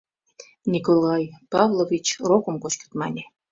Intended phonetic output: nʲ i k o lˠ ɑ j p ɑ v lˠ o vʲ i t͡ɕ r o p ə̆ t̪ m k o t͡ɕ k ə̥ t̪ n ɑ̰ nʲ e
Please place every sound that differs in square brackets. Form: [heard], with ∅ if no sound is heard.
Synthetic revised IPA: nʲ i k o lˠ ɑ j p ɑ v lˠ o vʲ i t͡ɕ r o [k] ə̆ [∅] m k o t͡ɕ k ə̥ t̪ [m] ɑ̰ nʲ e